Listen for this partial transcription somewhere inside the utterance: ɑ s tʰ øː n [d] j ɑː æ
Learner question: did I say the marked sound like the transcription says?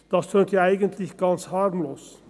no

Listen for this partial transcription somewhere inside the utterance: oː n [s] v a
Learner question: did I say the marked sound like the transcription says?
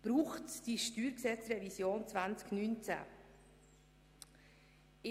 no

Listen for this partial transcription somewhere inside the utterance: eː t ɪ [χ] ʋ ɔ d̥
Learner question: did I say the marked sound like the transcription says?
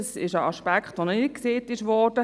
no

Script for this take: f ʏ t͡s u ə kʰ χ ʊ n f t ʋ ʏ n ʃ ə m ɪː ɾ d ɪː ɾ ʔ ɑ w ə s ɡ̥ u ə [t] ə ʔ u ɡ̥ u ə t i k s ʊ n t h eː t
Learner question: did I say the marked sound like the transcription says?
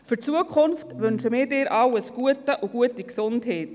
yes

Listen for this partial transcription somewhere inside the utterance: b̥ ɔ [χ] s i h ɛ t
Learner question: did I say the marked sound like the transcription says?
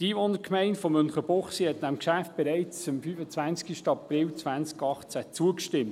yes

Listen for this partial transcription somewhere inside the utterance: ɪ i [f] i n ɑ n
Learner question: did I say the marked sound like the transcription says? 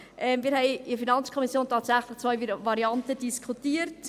yes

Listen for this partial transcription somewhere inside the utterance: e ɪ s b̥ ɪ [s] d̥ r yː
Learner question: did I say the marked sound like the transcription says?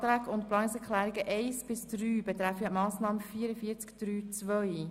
yes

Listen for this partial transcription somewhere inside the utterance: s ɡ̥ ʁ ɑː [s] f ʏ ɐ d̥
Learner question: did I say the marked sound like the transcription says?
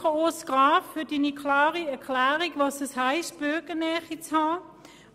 no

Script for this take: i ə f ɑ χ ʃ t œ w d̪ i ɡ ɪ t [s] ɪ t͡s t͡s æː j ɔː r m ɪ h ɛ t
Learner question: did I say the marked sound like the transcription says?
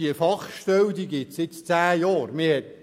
yes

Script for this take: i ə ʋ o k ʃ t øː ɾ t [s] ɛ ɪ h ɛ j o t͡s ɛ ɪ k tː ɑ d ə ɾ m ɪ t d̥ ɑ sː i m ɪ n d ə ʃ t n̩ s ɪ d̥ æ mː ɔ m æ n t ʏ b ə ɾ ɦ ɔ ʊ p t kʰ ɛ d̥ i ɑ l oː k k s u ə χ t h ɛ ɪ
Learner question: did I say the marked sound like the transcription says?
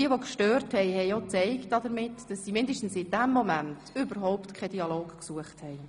no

